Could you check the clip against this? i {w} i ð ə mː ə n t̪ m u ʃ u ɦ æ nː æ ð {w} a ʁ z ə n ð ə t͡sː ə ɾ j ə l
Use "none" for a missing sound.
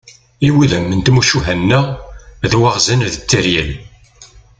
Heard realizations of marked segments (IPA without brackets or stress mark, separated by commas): w, w